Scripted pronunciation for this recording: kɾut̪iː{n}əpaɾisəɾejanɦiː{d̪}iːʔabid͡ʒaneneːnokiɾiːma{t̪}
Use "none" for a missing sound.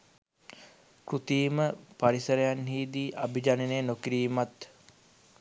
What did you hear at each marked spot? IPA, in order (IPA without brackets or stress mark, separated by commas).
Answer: m, d̪, t̪